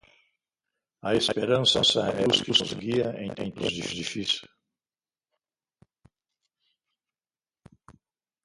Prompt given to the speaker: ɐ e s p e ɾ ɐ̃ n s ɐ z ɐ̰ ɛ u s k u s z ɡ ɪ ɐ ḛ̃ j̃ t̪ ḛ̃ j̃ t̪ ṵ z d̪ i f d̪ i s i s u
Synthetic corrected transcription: ɐ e s p e ɾ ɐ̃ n s ɐ s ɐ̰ ɛ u s k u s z ɡ i ɐ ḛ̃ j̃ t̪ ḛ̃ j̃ t̪ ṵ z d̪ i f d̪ i f i s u

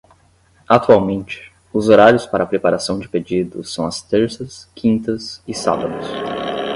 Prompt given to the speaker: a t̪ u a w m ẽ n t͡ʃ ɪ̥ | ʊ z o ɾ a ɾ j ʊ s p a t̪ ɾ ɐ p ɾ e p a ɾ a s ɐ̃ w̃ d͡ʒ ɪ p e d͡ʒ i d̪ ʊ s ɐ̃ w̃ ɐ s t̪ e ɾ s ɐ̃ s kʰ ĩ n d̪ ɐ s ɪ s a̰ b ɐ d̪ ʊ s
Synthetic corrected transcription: a t̪ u a w m ẽ n t͡ʃ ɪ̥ | ʊ z o ɾ a ɾ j ʊ s p a ɾ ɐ p ɾ e p a ɾ a s ɐ̃ w̃ d͡ʒ ɪ p e d͡ʒ i d̪ ʊ s ɐ̃ w̃ ɐ s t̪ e ɾ s ɐ s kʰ ĩ n t̪ ɐ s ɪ s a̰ b ɐ d̪ ʊ s

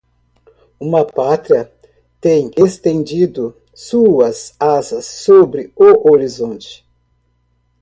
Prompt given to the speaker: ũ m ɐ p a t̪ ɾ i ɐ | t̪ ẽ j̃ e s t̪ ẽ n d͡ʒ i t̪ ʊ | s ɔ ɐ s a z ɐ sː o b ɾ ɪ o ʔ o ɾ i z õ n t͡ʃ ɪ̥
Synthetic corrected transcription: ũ m ɐ p a t̪ ɾ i ɐ | t̪ ẽ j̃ e s t̪ ẽ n d͡ʒ i d̪ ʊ | s u ɐ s a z ɐ sː o b ɾ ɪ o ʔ o ɾ i z õ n t͡ʃ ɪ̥

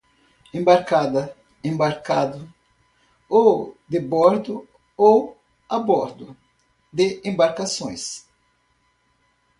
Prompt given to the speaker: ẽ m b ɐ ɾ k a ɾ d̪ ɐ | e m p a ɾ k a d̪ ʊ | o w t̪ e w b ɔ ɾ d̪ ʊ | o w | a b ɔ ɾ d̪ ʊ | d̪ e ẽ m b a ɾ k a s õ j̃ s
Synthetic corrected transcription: ẽ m b a ɾ k a d̪ ɐ | ẽ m b a ɾ k a d̪ ʊ | o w d̪ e b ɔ ɾ d̪ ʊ | o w | a b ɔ ɾ d̪ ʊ | d̪ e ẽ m b a ɾ k a s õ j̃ s

